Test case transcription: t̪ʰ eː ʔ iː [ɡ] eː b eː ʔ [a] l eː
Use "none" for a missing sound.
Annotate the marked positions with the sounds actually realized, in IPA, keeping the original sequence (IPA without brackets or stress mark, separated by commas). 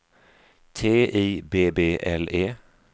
b, ɛ